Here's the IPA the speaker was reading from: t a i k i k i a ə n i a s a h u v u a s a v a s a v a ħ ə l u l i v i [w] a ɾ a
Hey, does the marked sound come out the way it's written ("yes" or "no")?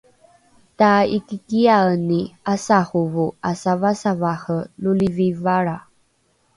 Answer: no